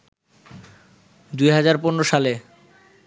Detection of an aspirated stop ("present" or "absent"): absent